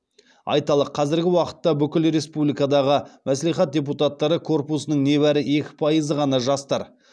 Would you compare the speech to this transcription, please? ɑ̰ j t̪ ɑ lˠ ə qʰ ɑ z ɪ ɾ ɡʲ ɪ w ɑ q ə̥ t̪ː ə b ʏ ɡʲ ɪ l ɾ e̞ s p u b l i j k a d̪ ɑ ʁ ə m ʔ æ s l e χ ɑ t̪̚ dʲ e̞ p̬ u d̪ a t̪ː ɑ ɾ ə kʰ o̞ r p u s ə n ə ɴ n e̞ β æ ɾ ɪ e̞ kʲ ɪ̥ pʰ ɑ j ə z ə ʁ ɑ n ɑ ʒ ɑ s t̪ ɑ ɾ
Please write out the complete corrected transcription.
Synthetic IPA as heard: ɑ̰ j t̪ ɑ lˠ ə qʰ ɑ z ɪ ɾ ɡʲ ɪ w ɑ q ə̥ t̪ː ɑ b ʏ kʲ ɪ l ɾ e̞ s p u b l i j k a d̪ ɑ ʁ ə m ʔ æ s l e χ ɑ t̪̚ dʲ e̞ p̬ u t̪ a t̪ː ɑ ɾ ə kʰ o̞ r p u s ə n ə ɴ n e̞ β æ ɾ ɪ e̞ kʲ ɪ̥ pʰ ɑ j ə z ə ʁ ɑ n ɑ ʒ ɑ s t̪ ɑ ɾ

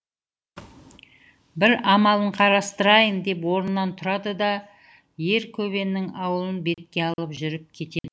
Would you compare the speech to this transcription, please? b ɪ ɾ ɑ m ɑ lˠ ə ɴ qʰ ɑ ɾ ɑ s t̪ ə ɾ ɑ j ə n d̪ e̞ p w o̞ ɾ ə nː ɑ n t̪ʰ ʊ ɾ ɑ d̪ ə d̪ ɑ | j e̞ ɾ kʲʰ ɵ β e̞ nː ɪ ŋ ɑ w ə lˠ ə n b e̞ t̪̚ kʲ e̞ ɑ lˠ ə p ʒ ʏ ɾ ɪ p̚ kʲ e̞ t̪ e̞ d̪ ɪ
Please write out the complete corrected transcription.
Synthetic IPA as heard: b ɪ ɾ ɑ m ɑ lˠ ə ɴ qʰ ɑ ɾ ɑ s t̪ ə ɾ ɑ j ə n d̪ e̞ p w o̞ ɾ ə nː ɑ n t̪ʰ ʊ ɾ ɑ d̪ ə d̪ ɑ | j e̞ ɾ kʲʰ ɵ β e̞ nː ɪ ŋ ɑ w ə lˠ ə n b e̞ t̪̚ kʲ e̞ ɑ lˠ ə p ʒ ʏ ɾ ɪ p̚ kʲʰ e̞ t̪ e̞ d̪ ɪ

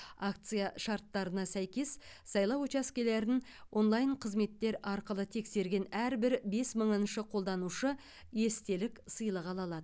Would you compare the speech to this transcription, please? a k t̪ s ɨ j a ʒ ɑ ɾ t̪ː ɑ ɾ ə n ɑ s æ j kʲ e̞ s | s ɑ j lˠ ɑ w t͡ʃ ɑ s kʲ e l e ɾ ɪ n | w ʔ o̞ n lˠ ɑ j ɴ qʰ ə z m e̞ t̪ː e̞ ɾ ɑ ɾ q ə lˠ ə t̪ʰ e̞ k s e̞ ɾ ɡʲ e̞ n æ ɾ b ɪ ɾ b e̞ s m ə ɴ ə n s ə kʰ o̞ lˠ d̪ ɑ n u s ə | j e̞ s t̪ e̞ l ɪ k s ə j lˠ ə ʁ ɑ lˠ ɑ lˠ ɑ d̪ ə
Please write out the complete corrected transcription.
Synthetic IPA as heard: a k t̪ s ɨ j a ʃ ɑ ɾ t̪ː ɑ ɾ ə n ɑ s æ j kʲ e̞ s | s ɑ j lˠ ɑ w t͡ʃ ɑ s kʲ e l e ɾ ɪ n | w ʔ o̞ n lˠ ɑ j ɴ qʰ ə z m e̞ t̪ː e̞ ɾ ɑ ɾ q ə lˠ ə t̪ʰ e̞ k s e̞ ɾ ɡʲ e̞ n æ ɾ b ɪ ɾ b e̞ s m ə ɴ ə n ʃ ə qʰ o̞ lˠ d̪ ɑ n u ʃ ə | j e̞ s t̪ e̞ l ɪ k s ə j lˠ ə ʁ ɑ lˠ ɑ lˠ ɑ d̪ ə

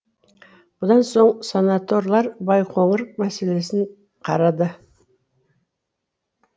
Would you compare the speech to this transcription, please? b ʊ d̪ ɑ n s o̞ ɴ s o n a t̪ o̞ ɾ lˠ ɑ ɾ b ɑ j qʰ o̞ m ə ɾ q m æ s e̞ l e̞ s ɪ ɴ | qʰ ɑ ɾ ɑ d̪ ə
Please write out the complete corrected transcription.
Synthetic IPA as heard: b ʊ d̪ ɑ n s o̞ ɴ s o n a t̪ o̞ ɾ lˠ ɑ ɾ b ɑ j qʰ o̞ ɴ ə ɾ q m æ s e̞ l e̞ s ɪ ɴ | qʰ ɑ ɾ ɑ d̪ ə

